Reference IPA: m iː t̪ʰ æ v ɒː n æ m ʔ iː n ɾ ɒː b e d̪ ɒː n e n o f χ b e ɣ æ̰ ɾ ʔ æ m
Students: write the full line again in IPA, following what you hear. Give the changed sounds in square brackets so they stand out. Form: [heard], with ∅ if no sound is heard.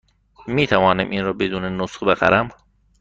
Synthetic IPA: m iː t̪ʰ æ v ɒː n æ m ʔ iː n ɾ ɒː b e d̪ [uː] n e n o [s] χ b e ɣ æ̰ ɾ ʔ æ m